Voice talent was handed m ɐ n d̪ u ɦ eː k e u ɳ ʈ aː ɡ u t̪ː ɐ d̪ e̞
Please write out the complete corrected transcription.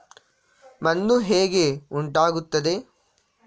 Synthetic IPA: m ɐ n d̪ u ɦ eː ɡ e u ɳ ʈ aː ɡ u t̪ː ɐ d̪ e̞

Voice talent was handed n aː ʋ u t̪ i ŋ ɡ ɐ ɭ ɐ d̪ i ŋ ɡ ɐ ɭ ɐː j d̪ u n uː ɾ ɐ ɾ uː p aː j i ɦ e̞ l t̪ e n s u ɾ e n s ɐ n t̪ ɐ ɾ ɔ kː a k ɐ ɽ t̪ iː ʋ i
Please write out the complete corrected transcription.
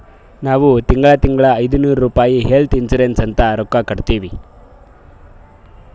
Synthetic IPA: n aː ʋ u t̪ i ŋ ɡ ɐ ɭ ɐ t̪ i ŋ ɡ ɐ ɭ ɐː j d̪ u n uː ɾ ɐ ɾ uː p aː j i ɦ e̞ l t̪ i n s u ɾ e n s ɐ n t̪ ɐ ɾ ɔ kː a k ɐ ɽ t̪ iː ʋ i

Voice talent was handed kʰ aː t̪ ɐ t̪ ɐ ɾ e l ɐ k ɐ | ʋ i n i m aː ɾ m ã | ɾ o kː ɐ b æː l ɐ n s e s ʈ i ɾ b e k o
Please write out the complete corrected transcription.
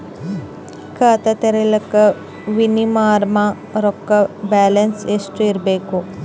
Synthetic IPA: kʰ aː t̪ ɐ t̪ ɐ ɾ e l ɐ k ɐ | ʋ i n i m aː ɾ m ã | ɾ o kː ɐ b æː l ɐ n s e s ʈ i ɾ b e k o

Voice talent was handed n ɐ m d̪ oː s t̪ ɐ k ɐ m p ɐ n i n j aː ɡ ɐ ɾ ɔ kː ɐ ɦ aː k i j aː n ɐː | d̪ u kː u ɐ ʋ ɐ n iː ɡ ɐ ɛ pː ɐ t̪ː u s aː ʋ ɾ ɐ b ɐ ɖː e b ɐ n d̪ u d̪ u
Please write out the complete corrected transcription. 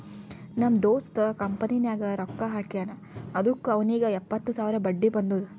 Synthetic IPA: n ɐ m d̪ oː s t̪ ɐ k ɐ m p ɐ n i n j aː ɡ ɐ ɾ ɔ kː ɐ ɦ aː k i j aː n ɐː | d̪ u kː u ɐ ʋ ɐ n iː ɡ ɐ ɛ pː ɐ t̪ː u s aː ʋ ɾ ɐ b ɐ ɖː i b ɐ n d̪ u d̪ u

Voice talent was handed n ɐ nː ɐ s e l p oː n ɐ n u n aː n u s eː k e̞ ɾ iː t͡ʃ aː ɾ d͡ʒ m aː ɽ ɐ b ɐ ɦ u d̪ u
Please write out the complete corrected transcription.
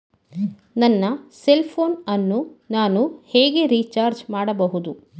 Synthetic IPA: n ɐ nː ɐ s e l pʰ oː n ɐ nː u n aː n u h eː ɡ e̞ ɾ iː t͡ʃ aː ɾ d͡ʒ m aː ɽ ɐ b ɐ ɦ u d̪ u

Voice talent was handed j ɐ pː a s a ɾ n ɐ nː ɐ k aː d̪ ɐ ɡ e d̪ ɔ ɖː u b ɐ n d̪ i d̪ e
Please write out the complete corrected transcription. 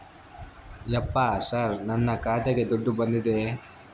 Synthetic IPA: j ɐ pː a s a ɾ n ɐ nː ɐ k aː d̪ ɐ ɡ e d̪ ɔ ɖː u b ɐ n d̪ i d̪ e

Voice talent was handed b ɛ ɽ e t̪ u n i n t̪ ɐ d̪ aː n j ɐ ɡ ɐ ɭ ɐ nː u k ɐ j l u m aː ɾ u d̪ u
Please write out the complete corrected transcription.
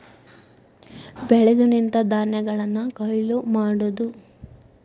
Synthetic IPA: b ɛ ɭ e d̪ u n i n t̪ ɐ d̪ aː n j ɐ ɡ ɐ ɭ ɐ nː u k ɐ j l u m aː ɽ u d̪ u

